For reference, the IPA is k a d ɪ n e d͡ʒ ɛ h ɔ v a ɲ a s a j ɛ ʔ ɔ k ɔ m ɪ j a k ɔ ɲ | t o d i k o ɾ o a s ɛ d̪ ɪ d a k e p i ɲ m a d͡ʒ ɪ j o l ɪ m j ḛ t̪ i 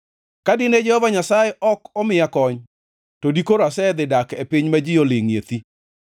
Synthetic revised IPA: k a d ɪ n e d͡ʒ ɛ h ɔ v a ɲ a s a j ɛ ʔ ɔ k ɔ m ɪ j a k ɔ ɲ | t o d i k o ɾ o a s ɛ d̪ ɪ d a k e p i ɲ m a d͡ʒ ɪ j o l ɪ ŋ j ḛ t̪ i